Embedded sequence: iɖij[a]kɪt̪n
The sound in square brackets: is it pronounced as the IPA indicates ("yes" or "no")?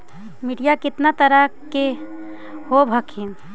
yes